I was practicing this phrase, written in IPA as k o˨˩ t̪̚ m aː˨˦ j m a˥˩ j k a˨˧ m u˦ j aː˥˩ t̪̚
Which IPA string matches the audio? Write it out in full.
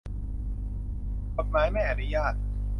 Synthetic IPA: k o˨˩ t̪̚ m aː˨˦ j m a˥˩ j ʔ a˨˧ n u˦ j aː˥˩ t̪̚